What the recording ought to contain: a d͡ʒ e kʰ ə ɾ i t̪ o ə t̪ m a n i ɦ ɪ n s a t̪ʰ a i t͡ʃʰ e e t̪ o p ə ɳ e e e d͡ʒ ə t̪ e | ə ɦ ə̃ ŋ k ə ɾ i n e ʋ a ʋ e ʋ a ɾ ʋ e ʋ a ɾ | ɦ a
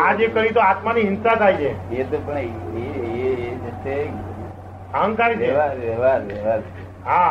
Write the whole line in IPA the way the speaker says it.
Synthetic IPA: a d͡ʒ e k ə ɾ i t̪ o a t̪ m a n i ɦ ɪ n s a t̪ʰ a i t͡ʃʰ e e t̪ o p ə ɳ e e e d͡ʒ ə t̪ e | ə ɦ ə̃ ŋ k a ɾ i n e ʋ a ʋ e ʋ a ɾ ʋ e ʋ a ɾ | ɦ a